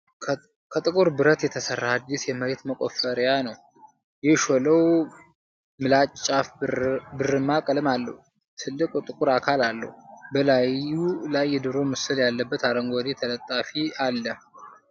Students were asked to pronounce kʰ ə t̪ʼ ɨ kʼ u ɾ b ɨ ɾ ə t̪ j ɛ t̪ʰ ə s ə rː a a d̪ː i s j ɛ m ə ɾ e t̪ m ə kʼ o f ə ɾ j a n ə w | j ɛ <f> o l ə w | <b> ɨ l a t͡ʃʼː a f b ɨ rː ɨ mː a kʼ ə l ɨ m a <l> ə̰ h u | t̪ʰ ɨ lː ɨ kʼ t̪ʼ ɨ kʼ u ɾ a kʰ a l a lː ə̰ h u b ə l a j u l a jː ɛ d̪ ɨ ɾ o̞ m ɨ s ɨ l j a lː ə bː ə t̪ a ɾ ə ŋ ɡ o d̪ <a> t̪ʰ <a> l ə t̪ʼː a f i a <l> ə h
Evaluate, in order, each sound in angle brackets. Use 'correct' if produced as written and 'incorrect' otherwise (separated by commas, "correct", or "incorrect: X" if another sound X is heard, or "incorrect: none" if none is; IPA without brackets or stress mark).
incorrect: ʃ, incorrect: m, incorrect: lː, incorrect: e, incorrect: ə, incorrect: lː